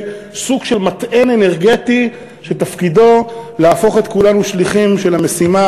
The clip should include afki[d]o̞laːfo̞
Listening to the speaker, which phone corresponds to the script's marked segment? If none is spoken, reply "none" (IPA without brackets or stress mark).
d